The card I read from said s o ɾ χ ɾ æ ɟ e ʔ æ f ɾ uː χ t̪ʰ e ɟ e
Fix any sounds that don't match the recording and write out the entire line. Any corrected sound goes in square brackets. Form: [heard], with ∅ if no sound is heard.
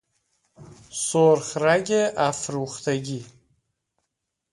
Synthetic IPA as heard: s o ɾ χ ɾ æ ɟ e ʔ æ f ɾ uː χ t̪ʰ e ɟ [i]